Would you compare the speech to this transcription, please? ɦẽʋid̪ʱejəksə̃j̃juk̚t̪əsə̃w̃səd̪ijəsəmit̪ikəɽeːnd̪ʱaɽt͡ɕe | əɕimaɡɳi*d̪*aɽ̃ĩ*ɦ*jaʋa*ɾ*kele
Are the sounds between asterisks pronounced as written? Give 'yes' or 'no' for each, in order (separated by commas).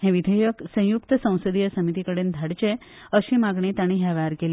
no, yes, yes